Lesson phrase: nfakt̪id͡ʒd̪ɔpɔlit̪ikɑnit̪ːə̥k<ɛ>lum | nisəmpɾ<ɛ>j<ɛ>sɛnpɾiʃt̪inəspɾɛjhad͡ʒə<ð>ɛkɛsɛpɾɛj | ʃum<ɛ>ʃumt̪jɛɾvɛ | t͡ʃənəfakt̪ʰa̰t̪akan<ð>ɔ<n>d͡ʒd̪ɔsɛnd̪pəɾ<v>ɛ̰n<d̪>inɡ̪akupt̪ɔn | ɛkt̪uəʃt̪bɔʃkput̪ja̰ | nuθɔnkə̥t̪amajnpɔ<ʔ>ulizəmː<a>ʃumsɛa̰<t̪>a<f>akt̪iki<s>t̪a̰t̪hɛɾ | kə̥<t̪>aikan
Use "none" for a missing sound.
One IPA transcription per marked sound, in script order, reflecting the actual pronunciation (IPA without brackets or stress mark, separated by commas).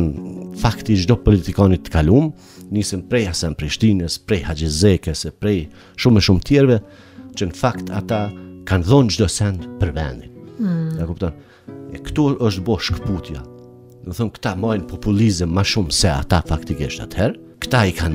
a, ɛ, a, z, ɛ, ð, n, v, d̪, p, a, t̪, f, ʃ, t̪